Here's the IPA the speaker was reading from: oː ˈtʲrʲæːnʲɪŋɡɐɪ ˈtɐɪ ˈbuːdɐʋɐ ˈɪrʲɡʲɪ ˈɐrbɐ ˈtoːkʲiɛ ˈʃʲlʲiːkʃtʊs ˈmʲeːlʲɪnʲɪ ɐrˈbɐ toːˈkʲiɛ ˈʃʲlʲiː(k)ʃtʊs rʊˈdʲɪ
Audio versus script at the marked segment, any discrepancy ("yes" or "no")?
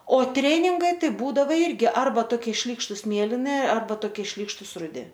no